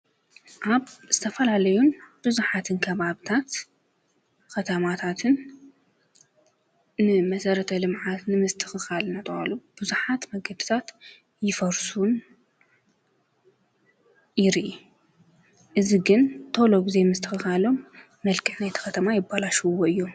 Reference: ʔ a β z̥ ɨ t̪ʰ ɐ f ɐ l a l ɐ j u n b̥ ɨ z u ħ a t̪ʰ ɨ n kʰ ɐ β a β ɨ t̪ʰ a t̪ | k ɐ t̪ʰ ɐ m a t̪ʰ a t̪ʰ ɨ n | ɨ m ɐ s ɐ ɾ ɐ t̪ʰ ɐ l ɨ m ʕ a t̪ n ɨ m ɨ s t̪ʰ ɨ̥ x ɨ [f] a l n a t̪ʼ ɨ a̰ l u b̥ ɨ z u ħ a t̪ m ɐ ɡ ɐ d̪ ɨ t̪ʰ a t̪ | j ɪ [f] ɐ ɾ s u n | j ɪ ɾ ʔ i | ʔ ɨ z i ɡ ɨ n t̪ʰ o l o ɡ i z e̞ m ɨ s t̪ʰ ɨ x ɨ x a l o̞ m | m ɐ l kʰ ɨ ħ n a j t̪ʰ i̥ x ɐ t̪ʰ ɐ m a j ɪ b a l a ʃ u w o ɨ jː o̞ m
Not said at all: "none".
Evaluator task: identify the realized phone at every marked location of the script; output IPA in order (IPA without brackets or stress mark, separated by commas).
x, f